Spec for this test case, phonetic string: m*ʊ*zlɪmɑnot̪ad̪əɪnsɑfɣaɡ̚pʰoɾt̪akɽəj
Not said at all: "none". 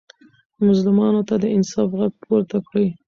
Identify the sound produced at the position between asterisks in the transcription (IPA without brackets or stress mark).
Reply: ʊ